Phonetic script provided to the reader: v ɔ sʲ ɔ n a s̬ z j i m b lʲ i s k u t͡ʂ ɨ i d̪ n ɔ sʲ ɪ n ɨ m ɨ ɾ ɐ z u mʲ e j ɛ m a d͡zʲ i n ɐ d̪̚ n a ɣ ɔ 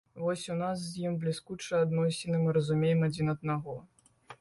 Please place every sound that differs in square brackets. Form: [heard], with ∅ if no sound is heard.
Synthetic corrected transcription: v ɔ sʲ [u] n a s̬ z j i m b lʲ i s k u t͡ʂ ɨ [a] d̪ n ɔ sʲ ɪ n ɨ m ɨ ɾ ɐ z u mʲ e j ɛ m a d͡zʲ i n ɐ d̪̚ n a ɣ ɔ